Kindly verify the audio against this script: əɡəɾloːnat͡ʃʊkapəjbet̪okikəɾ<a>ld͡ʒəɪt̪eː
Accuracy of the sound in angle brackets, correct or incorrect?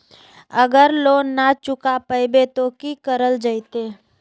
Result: incorrect: ə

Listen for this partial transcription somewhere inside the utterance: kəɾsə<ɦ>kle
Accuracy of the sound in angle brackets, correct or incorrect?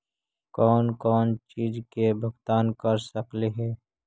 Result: incorrect: none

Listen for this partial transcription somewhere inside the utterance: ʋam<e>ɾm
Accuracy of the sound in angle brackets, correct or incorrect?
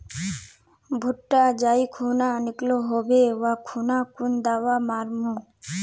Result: incorrect: a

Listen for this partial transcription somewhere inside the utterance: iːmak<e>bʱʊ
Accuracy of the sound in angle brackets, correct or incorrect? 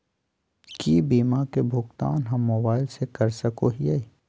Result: correct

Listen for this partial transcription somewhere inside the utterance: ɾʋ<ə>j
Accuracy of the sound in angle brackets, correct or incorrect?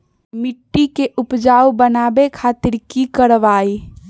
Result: incorrect: a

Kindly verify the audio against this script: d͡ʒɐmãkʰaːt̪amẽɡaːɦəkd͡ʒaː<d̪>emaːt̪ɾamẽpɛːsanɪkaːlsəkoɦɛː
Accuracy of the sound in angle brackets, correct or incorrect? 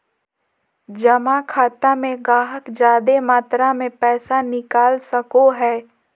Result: correct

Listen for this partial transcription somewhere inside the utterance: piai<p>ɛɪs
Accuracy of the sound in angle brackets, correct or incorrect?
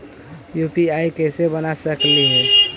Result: incorrect: k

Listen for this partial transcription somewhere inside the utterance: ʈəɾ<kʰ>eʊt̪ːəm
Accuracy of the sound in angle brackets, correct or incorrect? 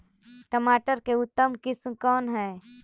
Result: incorrect: k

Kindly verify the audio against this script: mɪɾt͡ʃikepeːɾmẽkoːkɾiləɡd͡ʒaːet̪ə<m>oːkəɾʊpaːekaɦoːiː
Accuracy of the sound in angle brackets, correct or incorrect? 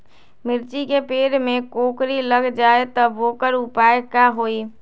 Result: incorrect: b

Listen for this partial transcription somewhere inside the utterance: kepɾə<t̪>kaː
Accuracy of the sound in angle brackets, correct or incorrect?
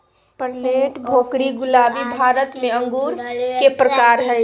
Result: incorrect: none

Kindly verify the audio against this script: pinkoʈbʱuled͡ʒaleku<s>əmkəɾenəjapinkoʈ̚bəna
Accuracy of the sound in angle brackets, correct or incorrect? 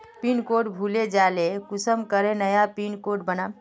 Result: correct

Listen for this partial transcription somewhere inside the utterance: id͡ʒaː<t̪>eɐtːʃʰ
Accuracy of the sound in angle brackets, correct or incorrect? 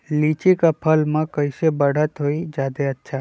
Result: incorrect: d̪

